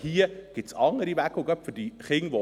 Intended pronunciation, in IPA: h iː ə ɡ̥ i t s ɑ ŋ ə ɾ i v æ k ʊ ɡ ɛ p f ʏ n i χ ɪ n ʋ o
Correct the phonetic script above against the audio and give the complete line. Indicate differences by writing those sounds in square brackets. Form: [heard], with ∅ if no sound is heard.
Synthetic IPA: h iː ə ɡ̥ [ɪ] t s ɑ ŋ ə ɾ i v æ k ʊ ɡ [œ] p f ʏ [d] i χ ɪ [ŋ] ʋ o